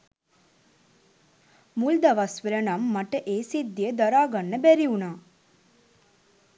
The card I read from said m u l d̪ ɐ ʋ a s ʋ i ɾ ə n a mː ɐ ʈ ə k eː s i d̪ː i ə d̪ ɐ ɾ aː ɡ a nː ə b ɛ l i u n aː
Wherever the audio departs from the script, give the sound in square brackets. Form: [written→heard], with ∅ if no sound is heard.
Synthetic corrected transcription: m u l d̪ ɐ ʋ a s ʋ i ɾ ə n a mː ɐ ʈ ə [k→ʔ] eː s i d̪ː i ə d̪ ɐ ɾ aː ɡ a nː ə b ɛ [l→ɾ] i u n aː